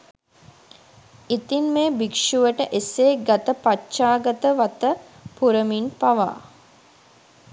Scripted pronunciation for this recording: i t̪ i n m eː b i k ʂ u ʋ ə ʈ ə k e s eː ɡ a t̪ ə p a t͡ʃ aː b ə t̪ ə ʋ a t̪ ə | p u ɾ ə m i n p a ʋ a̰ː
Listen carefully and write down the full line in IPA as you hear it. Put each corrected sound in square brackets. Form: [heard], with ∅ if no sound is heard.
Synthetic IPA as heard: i t̪ i n m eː b i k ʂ u ʋ ə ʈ ə [ʔ] e s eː ɡ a t̪ ə p a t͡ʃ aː [ɡ] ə t̪ ə ʋ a t̪ ə | p u ɾ ə m i n p a ʋ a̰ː